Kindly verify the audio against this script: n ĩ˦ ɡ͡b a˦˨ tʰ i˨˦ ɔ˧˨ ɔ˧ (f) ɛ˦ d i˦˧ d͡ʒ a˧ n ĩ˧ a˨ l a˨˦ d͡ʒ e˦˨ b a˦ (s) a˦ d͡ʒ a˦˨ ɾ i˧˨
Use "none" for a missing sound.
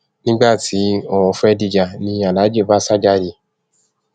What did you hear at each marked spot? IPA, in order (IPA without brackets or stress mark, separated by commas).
f, s